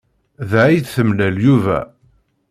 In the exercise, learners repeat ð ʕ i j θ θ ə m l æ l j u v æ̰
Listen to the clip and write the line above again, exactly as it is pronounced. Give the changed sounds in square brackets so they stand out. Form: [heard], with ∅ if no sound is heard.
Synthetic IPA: ð ʕ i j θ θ ə m l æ l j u v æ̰